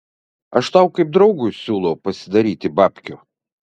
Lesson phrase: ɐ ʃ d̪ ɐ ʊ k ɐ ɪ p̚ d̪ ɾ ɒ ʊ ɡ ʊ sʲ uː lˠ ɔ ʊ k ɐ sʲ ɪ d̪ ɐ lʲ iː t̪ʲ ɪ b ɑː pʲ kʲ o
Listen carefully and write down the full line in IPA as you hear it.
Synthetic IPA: ɐ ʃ t̪ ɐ ʊ k ɐ ɪ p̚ d̪ ɾ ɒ ʊ ɡ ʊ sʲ uː lˠ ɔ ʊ p ɐ sʲ ɪ d̪ ɐ ɾʲ iː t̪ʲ ɪ b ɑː pʲ kʲ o